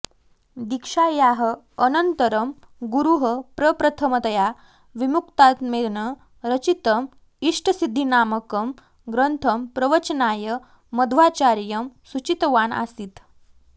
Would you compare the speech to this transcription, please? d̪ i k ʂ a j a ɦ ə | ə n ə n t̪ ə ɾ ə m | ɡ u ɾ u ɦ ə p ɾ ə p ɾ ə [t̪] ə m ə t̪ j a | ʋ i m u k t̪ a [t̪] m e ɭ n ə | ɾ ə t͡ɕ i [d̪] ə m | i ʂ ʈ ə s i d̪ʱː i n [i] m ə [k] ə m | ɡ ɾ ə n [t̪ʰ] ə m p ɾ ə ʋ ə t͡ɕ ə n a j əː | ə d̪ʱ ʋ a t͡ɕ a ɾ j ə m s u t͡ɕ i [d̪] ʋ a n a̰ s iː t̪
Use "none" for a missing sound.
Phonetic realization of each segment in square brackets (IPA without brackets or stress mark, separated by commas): t̪ʰ, t̪, t̪, a, k, t̪ʰ, t̪